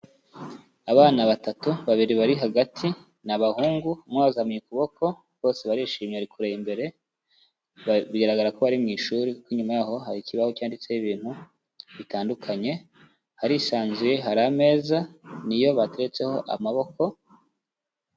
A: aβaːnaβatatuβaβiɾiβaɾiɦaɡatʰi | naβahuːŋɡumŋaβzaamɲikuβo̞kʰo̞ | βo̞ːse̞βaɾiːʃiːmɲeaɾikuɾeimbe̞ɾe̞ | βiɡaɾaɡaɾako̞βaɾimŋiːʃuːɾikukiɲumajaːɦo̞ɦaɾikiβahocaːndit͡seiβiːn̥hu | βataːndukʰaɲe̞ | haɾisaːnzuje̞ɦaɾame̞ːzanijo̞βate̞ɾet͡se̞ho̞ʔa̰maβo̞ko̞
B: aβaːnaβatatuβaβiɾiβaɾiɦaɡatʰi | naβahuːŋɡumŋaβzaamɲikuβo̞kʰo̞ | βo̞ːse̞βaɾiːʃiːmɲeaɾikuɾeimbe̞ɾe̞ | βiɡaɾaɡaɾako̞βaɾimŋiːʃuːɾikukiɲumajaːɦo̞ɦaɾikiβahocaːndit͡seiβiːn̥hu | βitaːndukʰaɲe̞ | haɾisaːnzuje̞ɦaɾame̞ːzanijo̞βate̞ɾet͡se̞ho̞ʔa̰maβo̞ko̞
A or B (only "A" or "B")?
B